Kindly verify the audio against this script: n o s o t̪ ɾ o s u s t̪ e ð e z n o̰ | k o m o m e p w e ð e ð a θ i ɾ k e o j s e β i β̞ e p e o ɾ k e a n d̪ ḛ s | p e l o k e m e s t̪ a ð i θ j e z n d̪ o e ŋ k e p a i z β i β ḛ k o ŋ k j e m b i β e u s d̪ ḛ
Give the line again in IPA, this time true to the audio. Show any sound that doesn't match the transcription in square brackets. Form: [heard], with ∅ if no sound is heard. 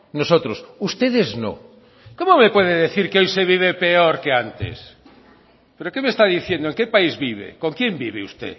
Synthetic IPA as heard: n o s o t̪ ɾ o s u s t̪ e ð e z n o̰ | k o m o m e p w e ð e ð [e] θ i ɾ k e o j s e β i β̞ e p e o ɾ k e a n [t̪] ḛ s | p e [ɾ] o k e m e s t̪ a ð i θ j e [∅] n d̪ o e ŋ k e p a i z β i β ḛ k o ŋ k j e m b i β e u s [t̪] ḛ